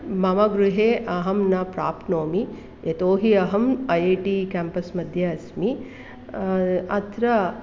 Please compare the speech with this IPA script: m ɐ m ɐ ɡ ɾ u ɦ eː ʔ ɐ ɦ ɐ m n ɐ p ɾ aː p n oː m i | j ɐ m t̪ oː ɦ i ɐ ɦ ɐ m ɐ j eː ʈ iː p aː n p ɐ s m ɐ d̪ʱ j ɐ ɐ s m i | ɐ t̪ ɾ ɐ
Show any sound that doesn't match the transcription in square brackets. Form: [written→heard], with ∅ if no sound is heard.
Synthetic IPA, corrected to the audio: m ɐ m ɐ ɡ ɾ u ɦ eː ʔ ɐ ɦ ɐ m n ɐ p ɾ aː p n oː m i | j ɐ [m→∅] t̪ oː ɦ i ɐ ɦ ɐ m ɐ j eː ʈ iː [p→k] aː [n→m] p ɐ s m ɐ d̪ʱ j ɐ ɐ s m i | ɐ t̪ ɾ ɐ